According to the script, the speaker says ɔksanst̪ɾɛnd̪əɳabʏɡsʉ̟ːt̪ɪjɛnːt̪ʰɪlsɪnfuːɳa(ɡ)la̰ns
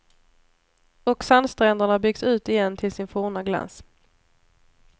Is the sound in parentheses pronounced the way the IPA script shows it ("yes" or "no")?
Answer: yes